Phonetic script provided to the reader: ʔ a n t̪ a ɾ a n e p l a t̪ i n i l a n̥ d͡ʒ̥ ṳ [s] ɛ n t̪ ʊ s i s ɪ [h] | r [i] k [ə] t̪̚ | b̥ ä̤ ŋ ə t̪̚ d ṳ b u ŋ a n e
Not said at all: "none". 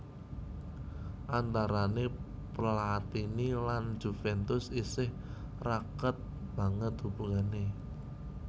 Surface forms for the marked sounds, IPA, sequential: f, h, a, ə

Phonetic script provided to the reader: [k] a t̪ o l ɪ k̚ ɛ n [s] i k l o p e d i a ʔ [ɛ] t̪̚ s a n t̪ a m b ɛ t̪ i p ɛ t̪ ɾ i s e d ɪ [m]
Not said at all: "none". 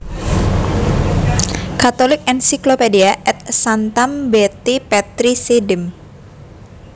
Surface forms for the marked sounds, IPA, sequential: k, s, ɛ, m

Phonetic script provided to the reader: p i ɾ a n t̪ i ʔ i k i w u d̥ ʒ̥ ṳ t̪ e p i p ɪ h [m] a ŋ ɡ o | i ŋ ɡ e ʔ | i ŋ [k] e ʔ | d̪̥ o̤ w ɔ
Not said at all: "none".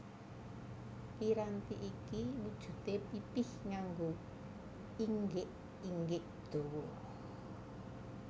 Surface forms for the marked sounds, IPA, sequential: ŋ, ɡ

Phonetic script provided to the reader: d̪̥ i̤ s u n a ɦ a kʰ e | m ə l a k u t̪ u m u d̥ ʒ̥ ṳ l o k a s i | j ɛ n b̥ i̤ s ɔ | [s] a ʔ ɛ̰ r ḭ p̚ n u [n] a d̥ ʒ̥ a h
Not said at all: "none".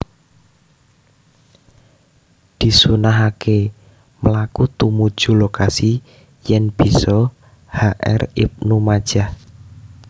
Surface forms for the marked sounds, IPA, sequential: h, m

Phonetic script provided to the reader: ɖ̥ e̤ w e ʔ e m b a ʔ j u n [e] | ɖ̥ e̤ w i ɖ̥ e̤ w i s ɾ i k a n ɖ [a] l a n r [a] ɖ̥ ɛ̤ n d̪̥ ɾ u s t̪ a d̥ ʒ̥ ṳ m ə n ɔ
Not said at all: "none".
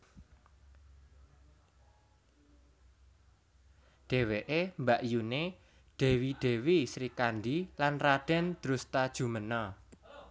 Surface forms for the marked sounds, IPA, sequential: e, i, a

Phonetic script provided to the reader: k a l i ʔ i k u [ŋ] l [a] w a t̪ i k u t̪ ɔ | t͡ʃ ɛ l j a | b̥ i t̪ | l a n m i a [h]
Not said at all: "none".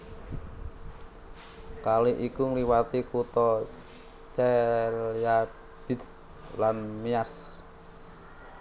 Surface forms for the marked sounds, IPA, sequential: ŋ, i, s

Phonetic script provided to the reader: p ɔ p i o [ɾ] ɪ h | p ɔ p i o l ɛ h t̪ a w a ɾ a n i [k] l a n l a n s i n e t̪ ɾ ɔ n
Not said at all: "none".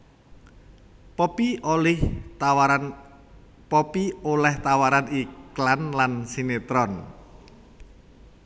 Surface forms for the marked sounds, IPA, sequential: l, k

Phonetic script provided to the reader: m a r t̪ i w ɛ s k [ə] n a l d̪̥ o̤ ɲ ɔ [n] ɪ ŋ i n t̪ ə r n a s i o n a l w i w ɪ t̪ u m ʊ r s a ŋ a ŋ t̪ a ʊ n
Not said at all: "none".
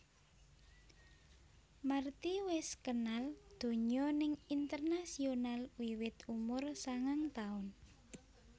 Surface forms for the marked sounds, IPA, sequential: ə, n

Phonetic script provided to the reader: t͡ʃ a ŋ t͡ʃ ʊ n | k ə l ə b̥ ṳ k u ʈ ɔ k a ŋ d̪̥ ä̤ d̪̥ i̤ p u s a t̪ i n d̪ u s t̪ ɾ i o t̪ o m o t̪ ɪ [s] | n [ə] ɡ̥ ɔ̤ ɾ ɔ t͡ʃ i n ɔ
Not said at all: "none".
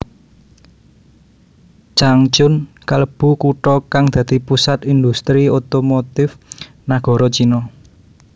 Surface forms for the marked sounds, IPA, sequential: f, a

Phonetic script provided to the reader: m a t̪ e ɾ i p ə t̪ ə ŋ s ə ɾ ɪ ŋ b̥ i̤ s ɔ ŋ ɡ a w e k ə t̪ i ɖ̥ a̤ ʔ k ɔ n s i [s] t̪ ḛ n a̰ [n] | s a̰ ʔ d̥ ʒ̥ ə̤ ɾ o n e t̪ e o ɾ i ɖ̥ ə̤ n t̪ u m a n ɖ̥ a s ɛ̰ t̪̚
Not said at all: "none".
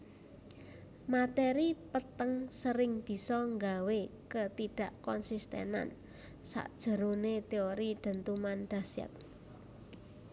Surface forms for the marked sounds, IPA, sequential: s, n

